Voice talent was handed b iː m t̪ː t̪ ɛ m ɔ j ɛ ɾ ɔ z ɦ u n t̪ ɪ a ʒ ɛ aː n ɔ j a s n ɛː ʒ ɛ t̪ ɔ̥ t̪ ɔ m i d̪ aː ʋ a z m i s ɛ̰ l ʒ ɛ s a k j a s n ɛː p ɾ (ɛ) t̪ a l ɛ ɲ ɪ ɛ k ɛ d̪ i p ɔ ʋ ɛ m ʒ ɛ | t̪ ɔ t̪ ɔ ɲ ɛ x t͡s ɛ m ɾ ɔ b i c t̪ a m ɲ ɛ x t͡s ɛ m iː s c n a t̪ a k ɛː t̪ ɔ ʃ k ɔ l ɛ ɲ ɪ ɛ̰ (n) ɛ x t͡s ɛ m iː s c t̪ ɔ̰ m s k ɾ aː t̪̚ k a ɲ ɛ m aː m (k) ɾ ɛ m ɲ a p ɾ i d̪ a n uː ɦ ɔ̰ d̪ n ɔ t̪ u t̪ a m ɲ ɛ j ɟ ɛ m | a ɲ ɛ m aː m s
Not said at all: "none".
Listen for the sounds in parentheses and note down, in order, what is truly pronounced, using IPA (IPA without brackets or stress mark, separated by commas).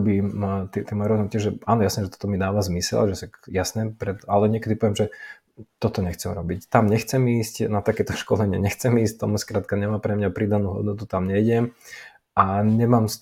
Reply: ɛ, ɲ, p